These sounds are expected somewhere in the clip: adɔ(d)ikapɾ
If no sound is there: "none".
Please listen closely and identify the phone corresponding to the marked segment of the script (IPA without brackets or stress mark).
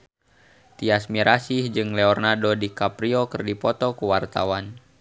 d